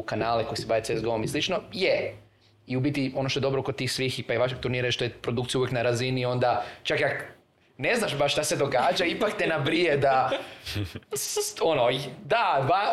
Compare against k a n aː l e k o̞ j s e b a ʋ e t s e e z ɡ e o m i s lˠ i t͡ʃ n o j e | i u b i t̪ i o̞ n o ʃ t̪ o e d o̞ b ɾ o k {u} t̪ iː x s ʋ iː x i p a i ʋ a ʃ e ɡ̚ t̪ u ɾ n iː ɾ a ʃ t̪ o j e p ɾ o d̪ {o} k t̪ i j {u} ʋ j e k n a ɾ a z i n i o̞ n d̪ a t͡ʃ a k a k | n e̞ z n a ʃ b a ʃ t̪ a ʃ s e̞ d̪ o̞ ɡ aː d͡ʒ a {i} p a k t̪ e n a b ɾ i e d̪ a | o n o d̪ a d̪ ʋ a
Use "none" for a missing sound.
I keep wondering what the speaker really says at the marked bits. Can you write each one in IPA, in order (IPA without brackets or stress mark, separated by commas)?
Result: o, u, u, i